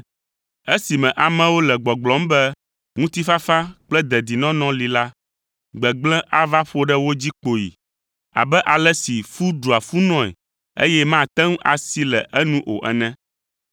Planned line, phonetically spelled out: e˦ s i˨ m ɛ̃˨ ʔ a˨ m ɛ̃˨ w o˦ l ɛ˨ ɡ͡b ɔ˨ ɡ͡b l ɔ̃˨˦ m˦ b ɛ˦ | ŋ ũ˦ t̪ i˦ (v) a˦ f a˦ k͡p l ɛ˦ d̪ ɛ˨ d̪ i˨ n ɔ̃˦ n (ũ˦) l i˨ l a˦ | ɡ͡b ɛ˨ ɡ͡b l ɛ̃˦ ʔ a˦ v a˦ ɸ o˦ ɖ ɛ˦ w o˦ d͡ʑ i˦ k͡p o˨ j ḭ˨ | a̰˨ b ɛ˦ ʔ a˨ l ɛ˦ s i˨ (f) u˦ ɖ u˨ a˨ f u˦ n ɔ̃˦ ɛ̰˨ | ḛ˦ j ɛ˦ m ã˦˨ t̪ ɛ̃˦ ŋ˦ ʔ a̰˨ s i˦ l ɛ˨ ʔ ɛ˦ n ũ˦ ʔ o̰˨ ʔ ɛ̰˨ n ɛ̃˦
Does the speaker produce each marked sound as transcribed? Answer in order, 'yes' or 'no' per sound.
no, no, yes

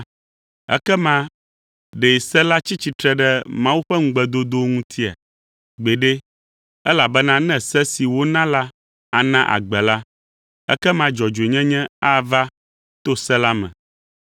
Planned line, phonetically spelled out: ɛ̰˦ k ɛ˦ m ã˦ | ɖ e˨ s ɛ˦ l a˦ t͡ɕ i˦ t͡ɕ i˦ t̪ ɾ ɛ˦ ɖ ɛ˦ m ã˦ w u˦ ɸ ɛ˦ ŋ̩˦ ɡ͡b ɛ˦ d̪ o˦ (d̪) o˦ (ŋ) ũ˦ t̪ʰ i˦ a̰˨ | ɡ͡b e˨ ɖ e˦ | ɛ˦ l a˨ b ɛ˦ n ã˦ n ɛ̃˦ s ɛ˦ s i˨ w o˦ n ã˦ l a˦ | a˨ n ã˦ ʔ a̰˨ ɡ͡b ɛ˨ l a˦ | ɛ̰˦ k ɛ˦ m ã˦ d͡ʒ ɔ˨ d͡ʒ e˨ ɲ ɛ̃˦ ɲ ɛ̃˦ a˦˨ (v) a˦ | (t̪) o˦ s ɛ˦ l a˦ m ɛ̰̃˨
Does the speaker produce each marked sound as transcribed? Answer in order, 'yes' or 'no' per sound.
yes, yes, yes, yes

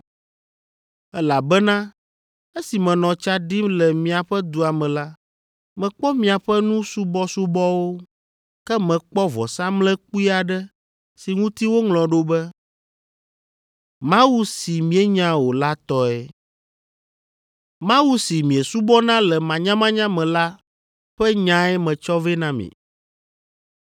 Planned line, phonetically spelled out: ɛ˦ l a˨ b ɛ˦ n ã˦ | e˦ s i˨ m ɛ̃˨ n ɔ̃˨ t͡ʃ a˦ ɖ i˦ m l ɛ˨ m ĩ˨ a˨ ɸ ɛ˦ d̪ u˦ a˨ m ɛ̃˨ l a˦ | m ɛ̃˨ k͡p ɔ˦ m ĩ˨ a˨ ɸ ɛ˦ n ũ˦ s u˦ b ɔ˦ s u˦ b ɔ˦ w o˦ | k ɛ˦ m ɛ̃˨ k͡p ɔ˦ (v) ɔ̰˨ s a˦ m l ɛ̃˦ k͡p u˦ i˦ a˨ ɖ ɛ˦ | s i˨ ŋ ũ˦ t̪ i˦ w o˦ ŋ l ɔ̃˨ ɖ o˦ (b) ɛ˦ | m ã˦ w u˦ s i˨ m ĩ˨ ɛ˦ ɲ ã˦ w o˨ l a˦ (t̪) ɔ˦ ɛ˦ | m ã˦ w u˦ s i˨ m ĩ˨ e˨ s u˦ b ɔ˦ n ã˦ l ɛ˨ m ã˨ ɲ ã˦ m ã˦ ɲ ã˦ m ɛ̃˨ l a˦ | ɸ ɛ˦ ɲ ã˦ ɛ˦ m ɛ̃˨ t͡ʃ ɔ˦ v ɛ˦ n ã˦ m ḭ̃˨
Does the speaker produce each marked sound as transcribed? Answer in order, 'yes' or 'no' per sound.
yes, yes, yes

